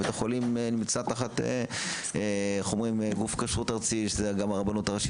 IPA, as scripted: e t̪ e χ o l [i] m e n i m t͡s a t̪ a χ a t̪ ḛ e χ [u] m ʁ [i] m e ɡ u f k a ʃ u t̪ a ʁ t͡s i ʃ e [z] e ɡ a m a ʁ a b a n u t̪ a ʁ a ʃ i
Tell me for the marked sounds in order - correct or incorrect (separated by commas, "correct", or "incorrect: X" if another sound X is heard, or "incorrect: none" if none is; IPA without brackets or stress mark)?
correct, incorrect: o, correct, correct